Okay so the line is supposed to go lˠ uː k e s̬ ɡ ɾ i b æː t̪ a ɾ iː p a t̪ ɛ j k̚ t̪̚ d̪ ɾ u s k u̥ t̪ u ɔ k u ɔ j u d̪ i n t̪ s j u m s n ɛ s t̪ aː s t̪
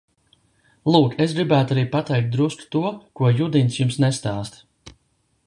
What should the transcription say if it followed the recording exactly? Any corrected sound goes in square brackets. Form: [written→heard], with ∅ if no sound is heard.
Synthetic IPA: lˠ uː k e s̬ ɡ ɾ i b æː t̪ a ɾ iː p a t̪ ɛ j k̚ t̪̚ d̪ ɾ u s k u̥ t̪ u ɔ k u ɔ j u d̪ i n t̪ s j u m s n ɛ s t̪ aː s t̪

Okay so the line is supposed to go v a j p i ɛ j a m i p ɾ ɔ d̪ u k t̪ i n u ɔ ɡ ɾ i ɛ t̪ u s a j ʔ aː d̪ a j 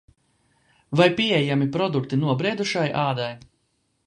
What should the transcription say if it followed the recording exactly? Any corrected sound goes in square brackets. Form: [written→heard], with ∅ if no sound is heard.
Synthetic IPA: v a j p i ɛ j a m i p ɾ ɔ d̪ u k t̪ i n u ɔ [ɡ→b] ɾ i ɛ [t̪→d̪] u [s→ʃ] a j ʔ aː d̪ a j

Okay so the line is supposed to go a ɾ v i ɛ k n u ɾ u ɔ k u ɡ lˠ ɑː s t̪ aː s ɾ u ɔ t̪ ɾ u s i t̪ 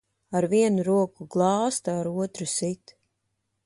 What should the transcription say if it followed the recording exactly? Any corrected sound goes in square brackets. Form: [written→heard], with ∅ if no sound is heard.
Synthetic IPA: a ɾ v i ɛ [k→∅] n u ɾ u ɔ k u ɡ lˠ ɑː s t̪ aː [s→∅] ɾ u ɔ t̪ ɾ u s i t̪

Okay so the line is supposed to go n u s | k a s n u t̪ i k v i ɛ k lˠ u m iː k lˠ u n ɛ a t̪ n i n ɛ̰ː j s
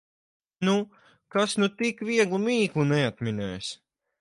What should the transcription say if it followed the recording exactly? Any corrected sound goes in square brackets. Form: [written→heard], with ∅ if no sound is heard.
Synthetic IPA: n u [s→∅] | k a s n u t̪ i k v i ɛ [k→ɡ] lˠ u m iː k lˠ u n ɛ a t̪ [n→m] i n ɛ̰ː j s

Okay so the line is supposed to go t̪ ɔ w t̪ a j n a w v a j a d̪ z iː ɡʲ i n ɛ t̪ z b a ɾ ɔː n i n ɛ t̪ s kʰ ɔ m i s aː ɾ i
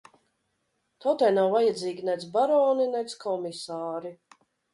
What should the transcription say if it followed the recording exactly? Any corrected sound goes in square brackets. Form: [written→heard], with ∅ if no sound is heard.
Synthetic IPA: t̪ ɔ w t̪ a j n a w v a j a d̪ z iː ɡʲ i n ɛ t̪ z b a ɾ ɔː n i n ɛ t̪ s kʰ ɔ m i s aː ɾ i

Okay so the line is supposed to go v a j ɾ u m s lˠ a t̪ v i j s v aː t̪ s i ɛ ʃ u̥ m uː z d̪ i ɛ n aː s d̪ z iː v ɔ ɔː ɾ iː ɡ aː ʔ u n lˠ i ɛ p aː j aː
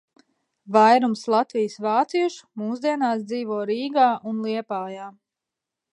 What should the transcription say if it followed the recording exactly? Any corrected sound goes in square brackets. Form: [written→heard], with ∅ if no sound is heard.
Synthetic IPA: v a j ɾ u m s lˠ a t̪ v i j s v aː t̪ s i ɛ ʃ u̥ m uː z d̪ i ɛ n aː s d̪ z iː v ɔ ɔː ɾ iː ɡ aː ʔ u n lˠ i ɛ p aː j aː

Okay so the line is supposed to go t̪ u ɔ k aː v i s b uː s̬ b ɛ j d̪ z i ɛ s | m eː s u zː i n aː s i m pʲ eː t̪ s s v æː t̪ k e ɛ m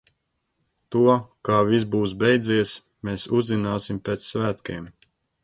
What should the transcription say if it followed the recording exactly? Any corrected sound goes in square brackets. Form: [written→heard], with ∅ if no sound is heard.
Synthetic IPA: t̪ u ɔ k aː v i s b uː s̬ b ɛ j d̪ z i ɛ s | m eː s u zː i n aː s i m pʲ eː t̪ s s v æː t̪ k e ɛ m

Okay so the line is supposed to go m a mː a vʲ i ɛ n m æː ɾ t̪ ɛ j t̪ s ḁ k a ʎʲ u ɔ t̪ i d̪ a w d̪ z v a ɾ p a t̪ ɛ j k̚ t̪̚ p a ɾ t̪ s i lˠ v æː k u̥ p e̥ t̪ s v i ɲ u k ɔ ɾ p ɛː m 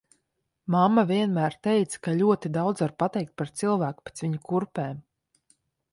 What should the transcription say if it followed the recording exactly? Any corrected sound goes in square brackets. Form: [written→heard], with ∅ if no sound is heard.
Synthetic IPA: m a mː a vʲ i ɛ n m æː ɾ t̪ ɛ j t̪ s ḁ k a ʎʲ u ɔ t̪ i d̪ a w d̪ z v a ɾ p a t̪ ɛ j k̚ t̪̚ p a ɾ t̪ s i lˠ v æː k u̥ p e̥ t̪ s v i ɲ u k [ɔ→u] ɾ p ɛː m

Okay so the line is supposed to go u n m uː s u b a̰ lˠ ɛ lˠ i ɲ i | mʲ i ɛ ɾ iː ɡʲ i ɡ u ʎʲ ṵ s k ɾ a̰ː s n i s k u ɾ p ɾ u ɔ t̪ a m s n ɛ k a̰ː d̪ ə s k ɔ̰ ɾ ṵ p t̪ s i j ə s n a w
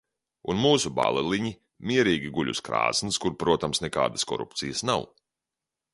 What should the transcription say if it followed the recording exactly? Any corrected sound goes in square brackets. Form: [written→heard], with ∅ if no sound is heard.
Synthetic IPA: u n m uː s u b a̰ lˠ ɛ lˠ i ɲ i | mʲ i ɛ ɾ iː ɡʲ i ɡ u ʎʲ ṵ s k ɾ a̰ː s n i s k u ɾ p ɾ u ɔ t̪ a m s n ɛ k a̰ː d̪ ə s k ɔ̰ ɾ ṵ p t̪ s i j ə s n a w

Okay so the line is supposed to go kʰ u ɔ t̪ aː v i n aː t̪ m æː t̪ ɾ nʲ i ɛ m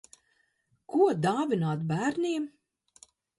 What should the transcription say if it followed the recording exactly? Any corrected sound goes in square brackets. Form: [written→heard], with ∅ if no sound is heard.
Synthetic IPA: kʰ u ɔ [t̪→d̪] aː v i n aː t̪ [m→b] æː [t̪→∅] ɾ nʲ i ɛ m

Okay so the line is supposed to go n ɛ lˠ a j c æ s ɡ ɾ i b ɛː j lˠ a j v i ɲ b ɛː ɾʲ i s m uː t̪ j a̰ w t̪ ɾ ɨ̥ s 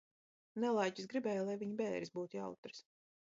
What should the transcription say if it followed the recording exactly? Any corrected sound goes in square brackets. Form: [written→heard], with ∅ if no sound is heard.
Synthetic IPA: n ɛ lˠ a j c [æ→i] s ɡ ɾ i b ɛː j lˠ a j v i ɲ b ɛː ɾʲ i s [m→b] uː t̪ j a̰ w t̪ ɾ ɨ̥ s

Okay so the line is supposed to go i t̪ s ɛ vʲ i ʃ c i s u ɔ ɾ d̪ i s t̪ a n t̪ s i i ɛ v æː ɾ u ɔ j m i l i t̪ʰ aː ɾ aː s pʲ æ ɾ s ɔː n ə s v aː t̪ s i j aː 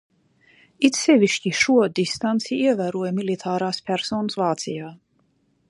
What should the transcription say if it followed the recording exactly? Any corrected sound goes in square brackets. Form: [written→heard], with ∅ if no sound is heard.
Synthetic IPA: i t̪ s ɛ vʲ i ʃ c i [s→ʃ] u ɔ [ɾ→∅] d̪ i s t̪ a n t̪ s i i ɛ v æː ɾ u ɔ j m i l i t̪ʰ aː ɾ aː s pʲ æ ɾ s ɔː n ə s v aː t̪ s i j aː

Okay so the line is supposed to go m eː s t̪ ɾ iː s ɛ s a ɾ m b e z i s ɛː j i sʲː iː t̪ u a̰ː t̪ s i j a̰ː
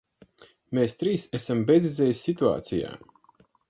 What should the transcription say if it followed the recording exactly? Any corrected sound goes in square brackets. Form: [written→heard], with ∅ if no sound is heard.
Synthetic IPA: m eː s t̪ ɾ iː s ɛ s a [ɾ→∅] m b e z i [s→z] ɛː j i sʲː [iː→i] t̪ u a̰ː t̪ s i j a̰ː

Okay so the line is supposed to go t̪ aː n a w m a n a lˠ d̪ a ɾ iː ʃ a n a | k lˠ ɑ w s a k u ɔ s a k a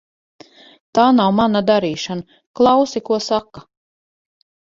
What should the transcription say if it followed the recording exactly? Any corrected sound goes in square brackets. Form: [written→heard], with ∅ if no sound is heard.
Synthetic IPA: t̪ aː n a w m a n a [lˠ→∅] d̪ a ɾ iː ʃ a n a | k lˠ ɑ w s [a→i] k u ɔ s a k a

